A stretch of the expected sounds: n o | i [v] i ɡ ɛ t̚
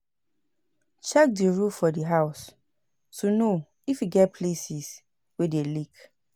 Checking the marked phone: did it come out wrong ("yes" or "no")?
yes